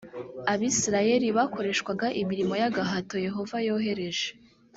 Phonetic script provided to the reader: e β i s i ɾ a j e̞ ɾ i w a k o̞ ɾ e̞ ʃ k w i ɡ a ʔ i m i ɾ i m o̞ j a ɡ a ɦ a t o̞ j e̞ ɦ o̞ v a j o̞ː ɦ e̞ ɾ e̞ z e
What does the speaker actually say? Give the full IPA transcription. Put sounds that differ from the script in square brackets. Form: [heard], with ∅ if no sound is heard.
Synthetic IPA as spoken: [a] β i s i ɾ a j e̞ ɾ i [β] a k o̞ ɾ e̞ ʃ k w [a] ɡ a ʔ i m i ɾ i m o̞ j a ɡ a ɦ a t o̞ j e̞ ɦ o̞ v a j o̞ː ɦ e̞ ɾ e̞ [ʒ] e